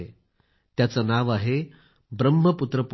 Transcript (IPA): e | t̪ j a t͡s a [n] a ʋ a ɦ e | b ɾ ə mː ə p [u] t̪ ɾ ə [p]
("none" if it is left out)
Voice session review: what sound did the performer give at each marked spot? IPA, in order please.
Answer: n, u, p

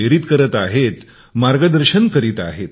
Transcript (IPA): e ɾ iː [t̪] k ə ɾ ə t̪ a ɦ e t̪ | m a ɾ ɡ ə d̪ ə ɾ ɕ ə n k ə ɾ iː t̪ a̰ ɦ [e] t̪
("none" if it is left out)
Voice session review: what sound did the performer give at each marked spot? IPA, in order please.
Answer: t̪, e

